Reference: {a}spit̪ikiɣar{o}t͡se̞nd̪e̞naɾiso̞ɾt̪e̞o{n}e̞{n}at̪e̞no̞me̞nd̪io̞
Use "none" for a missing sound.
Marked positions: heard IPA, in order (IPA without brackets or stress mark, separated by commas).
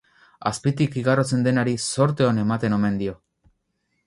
a, o, n, m